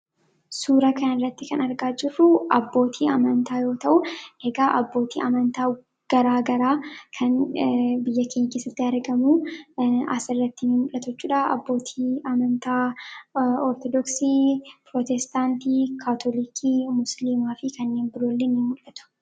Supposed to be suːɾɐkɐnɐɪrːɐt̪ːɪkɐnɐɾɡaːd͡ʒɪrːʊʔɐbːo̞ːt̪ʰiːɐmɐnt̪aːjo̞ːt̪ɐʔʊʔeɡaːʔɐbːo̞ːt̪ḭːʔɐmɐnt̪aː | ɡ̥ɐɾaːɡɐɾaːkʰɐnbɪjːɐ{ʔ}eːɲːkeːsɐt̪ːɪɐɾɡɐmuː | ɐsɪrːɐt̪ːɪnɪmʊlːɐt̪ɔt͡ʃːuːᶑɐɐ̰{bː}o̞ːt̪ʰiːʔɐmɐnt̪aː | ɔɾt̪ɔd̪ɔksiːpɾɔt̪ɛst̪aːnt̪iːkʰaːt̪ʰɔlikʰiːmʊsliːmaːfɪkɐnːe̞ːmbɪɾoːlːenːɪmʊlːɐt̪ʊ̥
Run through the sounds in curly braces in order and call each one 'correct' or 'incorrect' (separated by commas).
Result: incorrect, correct